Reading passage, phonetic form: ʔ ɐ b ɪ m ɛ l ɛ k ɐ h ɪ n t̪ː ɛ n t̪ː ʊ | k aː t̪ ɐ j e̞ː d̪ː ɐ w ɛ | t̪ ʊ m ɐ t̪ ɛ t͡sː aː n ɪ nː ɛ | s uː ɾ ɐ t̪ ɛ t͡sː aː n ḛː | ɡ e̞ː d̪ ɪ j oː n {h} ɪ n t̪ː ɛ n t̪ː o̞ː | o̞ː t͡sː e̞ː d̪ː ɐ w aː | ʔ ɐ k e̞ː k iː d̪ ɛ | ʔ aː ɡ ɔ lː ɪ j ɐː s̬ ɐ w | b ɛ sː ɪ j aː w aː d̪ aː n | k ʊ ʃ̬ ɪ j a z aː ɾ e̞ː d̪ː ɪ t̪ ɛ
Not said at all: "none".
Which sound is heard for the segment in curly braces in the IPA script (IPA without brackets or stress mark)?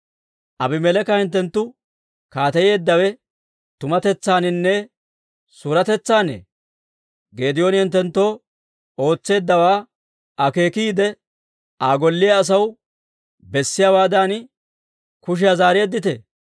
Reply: h